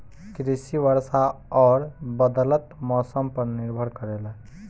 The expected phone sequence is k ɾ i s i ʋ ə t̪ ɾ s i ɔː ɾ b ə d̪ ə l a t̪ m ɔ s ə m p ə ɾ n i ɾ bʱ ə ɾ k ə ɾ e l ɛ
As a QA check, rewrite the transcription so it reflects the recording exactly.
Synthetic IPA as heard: k ɾ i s i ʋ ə ɾ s a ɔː ɾ b ə d̪ ə l ə t̪ m ɔ s ə m p ə ɾ n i ɾ bʱ ə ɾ k ə ɾ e l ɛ